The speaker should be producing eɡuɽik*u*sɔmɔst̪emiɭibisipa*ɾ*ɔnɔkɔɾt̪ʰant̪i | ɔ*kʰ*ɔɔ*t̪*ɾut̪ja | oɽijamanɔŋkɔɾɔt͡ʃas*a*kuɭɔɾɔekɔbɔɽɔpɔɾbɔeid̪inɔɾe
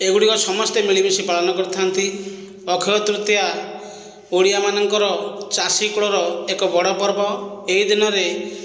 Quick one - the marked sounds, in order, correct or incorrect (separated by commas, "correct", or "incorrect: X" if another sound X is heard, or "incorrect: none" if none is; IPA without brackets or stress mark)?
incorrect: ɔ, incorrect: ɭ, correct, correct, incorrect: i